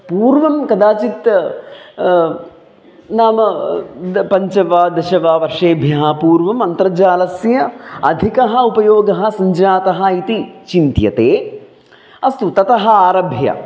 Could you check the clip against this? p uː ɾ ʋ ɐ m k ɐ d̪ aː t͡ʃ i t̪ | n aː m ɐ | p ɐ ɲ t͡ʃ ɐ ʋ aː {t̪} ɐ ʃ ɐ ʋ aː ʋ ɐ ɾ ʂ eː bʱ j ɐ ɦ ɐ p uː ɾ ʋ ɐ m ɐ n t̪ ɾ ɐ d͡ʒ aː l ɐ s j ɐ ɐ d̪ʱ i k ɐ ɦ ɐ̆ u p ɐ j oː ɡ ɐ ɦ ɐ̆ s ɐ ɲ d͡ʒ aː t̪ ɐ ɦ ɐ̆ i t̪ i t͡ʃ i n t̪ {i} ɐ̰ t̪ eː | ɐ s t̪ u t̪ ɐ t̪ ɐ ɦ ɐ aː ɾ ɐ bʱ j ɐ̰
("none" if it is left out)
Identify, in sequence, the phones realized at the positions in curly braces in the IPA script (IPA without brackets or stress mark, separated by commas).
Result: d̪, j